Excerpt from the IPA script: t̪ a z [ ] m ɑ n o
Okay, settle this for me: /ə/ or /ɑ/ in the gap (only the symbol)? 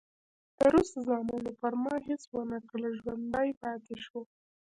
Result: ɑ